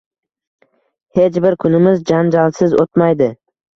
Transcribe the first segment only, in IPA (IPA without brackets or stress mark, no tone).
h